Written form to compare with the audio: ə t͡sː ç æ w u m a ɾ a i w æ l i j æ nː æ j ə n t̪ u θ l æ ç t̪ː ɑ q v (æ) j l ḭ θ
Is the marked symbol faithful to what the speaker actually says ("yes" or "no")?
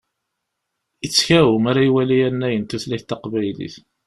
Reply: yes